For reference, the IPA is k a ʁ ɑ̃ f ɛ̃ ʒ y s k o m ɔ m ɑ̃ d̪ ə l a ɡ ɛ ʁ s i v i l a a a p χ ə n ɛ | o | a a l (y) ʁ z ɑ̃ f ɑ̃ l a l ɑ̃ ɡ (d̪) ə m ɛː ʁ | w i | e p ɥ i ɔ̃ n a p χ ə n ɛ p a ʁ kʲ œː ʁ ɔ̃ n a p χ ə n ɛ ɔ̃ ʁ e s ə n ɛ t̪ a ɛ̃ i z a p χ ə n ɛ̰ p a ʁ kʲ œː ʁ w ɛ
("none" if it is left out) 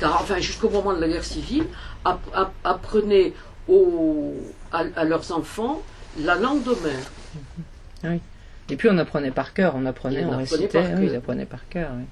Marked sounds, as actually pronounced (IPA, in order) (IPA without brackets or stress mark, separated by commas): œ, d̪